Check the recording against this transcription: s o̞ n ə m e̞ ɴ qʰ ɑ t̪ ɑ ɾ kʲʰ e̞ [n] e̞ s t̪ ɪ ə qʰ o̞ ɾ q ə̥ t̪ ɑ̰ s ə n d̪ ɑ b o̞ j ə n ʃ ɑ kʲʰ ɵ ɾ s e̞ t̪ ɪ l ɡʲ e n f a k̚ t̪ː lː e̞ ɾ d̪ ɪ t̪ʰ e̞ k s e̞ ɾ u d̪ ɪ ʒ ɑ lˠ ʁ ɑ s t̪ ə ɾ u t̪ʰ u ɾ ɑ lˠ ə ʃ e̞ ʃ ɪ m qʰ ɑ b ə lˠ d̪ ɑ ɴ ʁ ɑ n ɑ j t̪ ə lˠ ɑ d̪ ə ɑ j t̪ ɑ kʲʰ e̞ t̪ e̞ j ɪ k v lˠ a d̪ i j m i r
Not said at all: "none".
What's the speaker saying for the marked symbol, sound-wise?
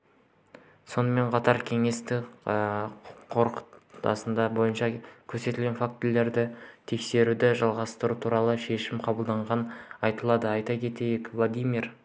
ŋ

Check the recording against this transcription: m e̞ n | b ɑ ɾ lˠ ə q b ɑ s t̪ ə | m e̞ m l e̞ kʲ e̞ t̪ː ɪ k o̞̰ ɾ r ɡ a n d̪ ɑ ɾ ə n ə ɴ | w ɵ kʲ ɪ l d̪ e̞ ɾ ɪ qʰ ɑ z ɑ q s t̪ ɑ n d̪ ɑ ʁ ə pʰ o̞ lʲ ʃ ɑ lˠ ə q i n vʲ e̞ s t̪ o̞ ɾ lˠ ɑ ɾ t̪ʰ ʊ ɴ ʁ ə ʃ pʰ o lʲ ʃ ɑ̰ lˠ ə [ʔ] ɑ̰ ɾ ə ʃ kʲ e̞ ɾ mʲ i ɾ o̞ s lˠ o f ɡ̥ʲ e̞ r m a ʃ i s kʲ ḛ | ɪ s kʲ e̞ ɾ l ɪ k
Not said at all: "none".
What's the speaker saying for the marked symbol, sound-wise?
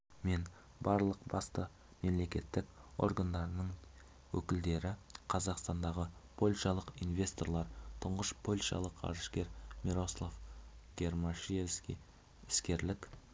q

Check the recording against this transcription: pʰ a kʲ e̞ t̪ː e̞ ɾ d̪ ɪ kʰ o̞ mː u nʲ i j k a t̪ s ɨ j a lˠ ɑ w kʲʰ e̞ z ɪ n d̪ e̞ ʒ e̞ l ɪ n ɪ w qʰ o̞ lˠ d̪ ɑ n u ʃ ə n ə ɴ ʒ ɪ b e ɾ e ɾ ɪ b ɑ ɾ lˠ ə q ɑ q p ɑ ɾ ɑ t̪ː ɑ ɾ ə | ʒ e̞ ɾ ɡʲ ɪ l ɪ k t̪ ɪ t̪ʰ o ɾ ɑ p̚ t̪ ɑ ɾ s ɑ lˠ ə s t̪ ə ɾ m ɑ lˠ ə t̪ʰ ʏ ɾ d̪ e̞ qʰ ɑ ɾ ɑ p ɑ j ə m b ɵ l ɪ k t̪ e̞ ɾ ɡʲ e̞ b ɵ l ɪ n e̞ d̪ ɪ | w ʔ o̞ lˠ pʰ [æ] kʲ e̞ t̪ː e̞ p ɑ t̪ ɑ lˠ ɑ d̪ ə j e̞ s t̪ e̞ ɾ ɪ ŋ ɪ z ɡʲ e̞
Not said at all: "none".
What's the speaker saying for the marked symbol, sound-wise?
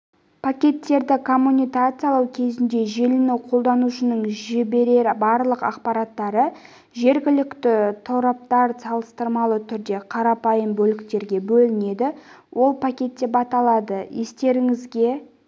a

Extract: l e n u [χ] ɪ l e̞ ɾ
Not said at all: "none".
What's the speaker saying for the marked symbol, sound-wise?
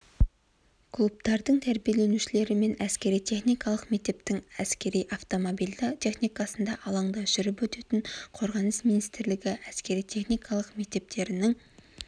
ʃ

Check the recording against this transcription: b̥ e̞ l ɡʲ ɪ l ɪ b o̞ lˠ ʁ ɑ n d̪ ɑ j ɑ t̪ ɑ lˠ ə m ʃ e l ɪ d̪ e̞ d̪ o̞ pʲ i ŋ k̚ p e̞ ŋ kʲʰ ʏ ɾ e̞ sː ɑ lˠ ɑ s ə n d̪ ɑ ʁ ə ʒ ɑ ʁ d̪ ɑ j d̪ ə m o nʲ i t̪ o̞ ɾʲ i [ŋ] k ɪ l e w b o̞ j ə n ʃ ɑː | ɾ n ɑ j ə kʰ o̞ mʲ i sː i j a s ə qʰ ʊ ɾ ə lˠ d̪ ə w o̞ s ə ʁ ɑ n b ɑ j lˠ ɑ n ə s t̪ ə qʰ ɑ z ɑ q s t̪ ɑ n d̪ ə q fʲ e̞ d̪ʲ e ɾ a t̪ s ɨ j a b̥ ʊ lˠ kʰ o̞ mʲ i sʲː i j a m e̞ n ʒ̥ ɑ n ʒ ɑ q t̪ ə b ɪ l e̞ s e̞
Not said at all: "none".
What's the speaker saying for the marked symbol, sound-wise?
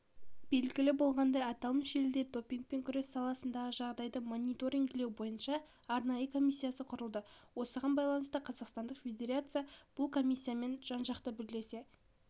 ŋ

